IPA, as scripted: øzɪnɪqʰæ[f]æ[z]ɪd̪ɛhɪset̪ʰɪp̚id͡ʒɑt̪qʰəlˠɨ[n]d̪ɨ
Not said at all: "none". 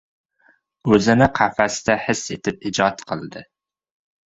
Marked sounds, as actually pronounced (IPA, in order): f, s, none

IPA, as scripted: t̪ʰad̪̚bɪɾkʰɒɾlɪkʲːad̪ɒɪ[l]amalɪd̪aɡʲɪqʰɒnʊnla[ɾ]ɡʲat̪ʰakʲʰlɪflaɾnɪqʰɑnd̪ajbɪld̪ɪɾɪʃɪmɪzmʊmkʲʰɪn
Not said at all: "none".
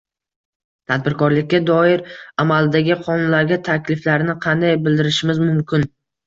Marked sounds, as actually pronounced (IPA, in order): ɾ, ɾ

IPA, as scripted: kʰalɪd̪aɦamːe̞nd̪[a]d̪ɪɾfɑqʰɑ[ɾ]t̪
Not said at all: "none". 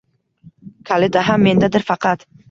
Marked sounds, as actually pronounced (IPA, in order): a, none

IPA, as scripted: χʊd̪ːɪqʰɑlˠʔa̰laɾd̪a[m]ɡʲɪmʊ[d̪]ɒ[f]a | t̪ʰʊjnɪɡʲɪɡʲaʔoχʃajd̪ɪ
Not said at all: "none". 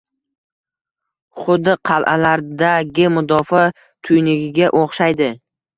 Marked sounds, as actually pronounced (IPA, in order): none, d̪, f

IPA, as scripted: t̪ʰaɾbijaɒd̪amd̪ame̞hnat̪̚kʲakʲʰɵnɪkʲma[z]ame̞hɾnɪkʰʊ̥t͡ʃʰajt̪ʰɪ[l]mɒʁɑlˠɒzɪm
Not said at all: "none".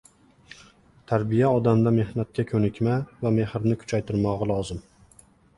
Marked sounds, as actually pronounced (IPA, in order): v, ɾ

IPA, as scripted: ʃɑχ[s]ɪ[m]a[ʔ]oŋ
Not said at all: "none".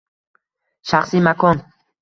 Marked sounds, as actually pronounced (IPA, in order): s, m, k

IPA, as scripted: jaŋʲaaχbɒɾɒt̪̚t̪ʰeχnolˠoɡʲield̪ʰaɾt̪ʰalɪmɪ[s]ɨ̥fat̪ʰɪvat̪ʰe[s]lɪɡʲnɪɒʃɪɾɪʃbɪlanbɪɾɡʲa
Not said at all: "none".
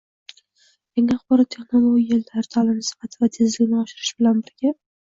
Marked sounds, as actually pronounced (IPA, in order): s, z

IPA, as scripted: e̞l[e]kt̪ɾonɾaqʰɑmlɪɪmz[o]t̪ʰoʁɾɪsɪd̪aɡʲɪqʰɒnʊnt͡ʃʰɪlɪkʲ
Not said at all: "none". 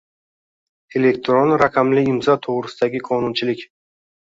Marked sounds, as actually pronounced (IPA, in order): e, ɒ

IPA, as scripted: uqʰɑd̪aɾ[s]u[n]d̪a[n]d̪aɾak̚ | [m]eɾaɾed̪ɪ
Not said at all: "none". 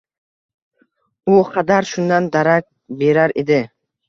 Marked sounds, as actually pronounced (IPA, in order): ʃ, n, n, b

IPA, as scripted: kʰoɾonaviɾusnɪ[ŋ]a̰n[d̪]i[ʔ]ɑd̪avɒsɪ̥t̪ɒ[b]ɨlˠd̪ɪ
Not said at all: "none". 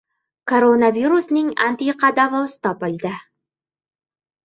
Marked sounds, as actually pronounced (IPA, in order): ŋ, t̪, q, p

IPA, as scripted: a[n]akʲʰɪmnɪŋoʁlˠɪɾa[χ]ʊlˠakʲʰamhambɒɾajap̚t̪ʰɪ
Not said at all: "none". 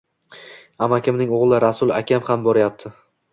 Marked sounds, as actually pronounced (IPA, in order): m, s

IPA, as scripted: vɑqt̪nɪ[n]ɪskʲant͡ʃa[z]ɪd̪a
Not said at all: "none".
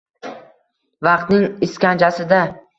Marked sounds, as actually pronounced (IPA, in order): ŋ, s

